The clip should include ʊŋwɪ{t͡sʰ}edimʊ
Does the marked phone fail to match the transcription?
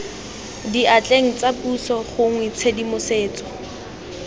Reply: no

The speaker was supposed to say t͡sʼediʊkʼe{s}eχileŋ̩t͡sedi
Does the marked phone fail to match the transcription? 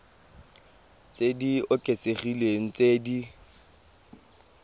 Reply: no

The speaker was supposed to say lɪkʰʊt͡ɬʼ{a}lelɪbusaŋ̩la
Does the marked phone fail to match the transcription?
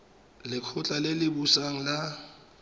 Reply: no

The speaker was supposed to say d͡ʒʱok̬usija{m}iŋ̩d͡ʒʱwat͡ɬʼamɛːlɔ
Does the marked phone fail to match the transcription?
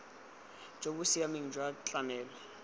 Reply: no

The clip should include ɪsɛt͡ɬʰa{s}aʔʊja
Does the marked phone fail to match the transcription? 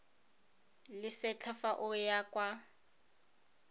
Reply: yes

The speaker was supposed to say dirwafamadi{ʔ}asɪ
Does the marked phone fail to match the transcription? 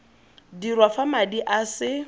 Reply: no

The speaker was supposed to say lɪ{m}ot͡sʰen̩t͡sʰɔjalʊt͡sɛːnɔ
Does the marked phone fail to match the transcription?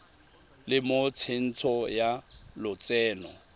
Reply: no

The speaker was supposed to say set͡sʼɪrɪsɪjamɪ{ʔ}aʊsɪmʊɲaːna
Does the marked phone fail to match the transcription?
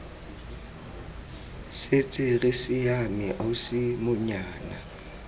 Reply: no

